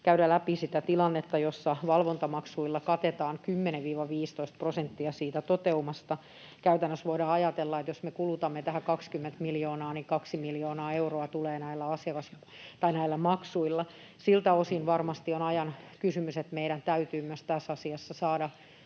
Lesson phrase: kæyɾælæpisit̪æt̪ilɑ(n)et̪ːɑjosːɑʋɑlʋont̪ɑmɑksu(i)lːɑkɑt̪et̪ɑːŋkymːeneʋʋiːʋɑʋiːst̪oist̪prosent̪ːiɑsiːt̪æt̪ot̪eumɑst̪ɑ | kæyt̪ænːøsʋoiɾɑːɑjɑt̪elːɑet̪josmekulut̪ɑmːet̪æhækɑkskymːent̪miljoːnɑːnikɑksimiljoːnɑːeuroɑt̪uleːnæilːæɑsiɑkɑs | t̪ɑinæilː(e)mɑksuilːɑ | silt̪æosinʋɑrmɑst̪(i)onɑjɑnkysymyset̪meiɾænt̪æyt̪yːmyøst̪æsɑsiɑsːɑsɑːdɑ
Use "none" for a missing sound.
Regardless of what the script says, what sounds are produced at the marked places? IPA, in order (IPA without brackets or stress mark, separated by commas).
nː, i, æ, i